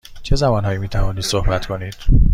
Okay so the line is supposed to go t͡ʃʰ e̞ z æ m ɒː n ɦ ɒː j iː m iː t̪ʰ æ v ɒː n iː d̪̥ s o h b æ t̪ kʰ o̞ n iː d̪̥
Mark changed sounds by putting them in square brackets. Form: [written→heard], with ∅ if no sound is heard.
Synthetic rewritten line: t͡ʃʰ e̞ z æ m ɒː n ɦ ɒː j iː m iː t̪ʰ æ v ɒː n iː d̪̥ s o h b æ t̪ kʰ o̞ n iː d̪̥